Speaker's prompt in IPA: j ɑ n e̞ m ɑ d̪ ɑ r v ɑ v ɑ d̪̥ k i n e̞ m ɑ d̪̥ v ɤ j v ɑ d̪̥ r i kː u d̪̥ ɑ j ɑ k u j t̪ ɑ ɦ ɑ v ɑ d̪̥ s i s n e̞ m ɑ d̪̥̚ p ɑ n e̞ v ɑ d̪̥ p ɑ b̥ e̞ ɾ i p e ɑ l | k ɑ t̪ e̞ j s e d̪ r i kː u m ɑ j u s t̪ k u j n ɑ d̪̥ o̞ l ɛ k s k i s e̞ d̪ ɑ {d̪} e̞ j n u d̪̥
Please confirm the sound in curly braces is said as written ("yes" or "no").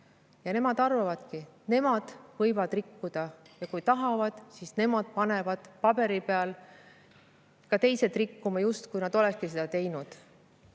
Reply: no